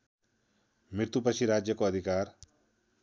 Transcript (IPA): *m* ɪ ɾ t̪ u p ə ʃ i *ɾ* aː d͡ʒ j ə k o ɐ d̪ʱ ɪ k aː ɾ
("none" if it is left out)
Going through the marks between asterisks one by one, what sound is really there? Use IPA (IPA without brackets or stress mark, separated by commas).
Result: m, ɾ